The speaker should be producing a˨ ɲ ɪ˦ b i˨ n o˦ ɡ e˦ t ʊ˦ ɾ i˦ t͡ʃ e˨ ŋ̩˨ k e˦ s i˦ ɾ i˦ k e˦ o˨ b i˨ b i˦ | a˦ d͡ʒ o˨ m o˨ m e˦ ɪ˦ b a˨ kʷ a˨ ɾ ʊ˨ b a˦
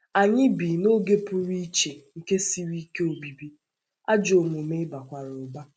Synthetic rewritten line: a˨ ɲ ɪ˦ b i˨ n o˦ ɡ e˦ p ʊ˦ ɾ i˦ t͡ʃ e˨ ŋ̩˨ k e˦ s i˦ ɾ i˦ k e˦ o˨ b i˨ b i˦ | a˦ d͡ʒ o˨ m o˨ m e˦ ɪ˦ b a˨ kʷ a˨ ɾ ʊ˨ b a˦